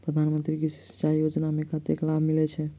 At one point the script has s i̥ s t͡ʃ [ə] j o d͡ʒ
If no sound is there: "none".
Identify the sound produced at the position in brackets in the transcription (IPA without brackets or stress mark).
a